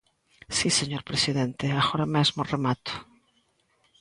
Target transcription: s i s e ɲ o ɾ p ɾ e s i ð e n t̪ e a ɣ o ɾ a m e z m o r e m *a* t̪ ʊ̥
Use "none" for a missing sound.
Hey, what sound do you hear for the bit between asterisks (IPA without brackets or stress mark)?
a